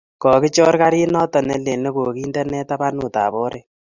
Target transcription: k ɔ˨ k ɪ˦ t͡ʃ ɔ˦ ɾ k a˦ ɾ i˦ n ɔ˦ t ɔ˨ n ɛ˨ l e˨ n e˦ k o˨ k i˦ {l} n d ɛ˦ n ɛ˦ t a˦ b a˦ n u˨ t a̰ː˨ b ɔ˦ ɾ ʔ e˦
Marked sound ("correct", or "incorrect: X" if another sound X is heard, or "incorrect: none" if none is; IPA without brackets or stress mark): incorrect: none